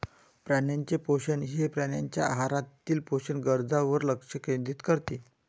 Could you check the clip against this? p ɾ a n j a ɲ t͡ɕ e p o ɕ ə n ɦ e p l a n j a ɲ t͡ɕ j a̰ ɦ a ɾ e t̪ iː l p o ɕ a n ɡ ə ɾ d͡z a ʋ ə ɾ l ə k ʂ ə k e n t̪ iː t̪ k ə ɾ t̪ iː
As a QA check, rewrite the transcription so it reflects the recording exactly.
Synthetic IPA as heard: p ɾ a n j a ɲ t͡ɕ e p o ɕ ə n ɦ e p ɾ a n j a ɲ t͡ɕ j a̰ ɦ a ɾ a t̪ iː l p o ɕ ə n ɡ ə ɾ d͡z a ʋ ə ɾ l ə k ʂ ə k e n d̪ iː t̪ k ə ɾ t̪ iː